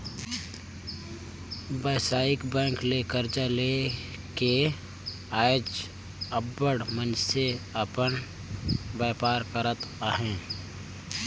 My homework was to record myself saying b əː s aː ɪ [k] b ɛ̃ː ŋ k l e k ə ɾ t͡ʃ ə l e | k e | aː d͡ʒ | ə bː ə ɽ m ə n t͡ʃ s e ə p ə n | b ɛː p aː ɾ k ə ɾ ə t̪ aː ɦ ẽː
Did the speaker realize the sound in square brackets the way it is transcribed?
yes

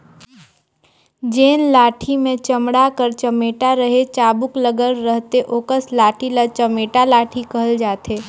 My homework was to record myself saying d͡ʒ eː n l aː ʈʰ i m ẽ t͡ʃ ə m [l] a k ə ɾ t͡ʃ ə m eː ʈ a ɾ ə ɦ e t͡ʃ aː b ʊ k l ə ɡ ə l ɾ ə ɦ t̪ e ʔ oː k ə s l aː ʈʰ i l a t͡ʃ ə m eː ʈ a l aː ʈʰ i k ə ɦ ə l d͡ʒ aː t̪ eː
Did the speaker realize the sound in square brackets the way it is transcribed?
no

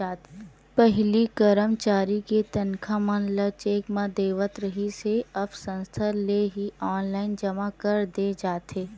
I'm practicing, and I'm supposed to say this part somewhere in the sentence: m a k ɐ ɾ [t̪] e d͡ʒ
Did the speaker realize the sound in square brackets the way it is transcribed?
no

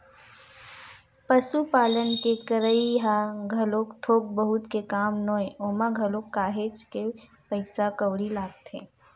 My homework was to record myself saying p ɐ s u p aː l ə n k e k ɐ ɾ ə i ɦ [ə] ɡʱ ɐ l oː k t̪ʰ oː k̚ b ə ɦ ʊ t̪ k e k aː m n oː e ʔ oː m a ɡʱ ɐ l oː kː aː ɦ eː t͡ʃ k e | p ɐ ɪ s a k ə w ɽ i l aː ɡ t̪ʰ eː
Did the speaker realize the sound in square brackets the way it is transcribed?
no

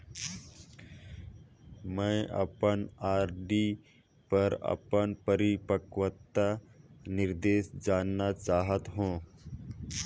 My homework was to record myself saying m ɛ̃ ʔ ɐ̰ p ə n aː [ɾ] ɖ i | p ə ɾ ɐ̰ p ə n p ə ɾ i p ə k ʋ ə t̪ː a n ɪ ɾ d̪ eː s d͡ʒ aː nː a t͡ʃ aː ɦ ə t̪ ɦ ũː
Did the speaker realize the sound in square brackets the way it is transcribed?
yes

